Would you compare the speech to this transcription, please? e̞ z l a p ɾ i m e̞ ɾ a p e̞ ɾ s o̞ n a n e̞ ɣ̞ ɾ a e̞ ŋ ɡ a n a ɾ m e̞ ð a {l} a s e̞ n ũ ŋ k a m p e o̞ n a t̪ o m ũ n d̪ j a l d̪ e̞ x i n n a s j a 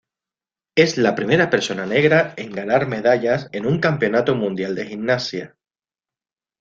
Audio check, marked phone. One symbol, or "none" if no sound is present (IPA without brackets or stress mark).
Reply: ʎ